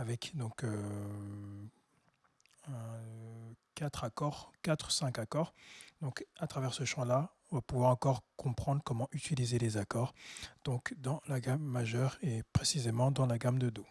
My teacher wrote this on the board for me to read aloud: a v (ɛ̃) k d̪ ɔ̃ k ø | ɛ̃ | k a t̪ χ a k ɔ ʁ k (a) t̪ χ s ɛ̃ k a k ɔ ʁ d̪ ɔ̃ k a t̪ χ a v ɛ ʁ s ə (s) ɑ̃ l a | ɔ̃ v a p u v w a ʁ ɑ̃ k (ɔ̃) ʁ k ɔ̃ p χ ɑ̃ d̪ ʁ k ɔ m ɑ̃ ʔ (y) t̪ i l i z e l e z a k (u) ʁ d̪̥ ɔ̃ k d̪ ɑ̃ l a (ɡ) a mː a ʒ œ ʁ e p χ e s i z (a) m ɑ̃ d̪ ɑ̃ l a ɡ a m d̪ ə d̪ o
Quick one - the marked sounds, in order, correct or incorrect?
incorrect, correct, incorrect, incorrect, correct, incorrect, correct, incorrect

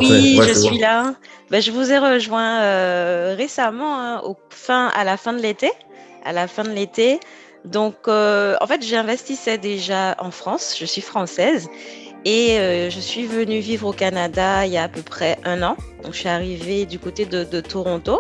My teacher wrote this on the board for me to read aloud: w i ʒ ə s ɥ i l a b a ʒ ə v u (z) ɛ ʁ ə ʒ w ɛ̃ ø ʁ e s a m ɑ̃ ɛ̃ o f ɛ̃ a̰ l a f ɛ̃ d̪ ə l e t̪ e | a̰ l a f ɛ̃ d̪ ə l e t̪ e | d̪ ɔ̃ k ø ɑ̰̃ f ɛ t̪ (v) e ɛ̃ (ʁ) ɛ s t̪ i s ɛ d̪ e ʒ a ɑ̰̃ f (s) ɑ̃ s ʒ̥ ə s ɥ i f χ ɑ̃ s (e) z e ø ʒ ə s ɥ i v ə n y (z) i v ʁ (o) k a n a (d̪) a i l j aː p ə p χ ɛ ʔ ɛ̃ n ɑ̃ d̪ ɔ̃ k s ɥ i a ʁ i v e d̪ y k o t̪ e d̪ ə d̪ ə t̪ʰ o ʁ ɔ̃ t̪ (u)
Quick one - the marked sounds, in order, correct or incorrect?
correct, incorrect, incorrect, incorrect, incorrect, incorrect, correct, correct, incorrect

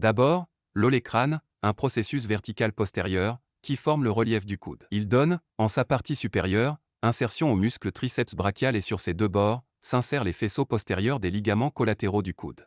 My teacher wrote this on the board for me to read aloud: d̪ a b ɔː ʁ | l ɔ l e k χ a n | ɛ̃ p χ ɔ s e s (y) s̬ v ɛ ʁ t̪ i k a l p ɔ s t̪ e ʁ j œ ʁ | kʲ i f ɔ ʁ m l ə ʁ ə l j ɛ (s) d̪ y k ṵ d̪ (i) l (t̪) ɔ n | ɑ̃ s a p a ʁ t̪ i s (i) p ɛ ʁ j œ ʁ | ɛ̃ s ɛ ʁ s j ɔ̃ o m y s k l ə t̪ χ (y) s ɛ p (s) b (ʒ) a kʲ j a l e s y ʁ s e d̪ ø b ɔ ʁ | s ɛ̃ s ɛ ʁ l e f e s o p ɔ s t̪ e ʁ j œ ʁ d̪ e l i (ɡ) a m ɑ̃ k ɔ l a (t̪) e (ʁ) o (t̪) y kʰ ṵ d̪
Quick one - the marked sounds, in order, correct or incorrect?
correct, incorrect, correct, incorrect, incorrect, incorrect, correct, incorrect, correct, correct, correct, incorrect

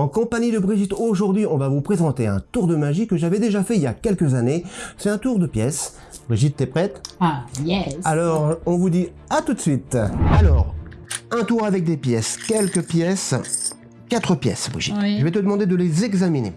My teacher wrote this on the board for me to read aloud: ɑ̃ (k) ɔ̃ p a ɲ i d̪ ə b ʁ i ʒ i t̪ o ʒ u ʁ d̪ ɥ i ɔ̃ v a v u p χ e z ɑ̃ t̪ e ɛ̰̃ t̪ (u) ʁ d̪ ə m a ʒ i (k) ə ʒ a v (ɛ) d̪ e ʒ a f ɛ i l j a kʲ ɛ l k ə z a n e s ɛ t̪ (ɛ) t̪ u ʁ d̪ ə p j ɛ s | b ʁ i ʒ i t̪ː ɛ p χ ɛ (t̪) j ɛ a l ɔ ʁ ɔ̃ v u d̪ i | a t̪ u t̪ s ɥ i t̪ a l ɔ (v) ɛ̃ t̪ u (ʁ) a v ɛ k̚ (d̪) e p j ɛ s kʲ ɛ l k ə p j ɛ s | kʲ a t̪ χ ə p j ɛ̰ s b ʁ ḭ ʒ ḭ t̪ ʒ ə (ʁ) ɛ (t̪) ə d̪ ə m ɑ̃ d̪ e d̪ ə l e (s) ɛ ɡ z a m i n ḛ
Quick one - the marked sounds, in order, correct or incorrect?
correct, correct, correct, correct, incorrect, correct, incorrect, correct, correct, incorrect, correct, incorrect

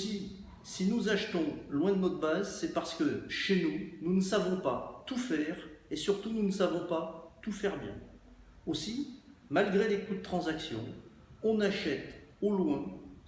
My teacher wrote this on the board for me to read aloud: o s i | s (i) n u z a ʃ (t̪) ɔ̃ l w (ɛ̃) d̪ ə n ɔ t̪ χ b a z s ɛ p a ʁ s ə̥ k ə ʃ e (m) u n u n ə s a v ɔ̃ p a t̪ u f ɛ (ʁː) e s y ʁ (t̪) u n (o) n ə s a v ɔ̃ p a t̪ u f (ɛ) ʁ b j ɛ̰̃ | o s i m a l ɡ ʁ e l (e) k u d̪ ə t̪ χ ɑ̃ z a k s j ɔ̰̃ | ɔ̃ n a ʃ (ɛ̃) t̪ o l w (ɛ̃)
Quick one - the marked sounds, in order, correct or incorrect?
correct, correct, correct, incorrect, incorrect, correct, incorrect, correct, correct, incorrect, correct

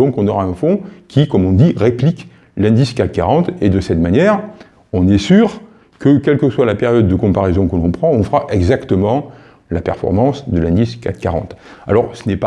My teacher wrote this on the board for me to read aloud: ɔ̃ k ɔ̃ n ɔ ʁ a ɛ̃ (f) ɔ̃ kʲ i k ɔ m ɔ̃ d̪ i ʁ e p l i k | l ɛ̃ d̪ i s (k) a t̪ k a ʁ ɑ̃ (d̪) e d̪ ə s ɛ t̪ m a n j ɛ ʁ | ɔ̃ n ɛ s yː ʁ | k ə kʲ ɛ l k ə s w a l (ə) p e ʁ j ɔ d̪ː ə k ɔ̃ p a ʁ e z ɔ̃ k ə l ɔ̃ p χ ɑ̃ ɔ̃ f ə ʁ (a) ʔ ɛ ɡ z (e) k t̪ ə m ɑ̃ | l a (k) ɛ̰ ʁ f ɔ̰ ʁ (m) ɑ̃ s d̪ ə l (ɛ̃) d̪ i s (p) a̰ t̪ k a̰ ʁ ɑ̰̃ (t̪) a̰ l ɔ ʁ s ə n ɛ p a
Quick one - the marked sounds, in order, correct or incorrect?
correct, correct, incorrect, incorrect, correct, incorrect, incorrect, correct, correct, incorrect, correct

